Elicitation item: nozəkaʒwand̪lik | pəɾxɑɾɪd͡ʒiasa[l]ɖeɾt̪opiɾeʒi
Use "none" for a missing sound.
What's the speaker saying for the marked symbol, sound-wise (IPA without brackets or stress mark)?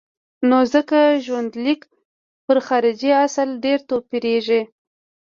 l